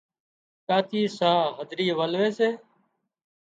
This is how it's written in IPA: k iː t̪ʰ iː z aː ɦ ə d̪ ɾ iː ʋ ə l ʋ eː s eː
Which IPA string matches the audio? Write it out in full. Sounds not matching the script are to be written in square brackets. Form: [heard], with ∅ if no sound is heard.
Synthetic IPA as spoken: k [aː] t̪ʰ iː [s] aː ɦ ə d̪ ɾ iː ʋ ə l ʋ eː s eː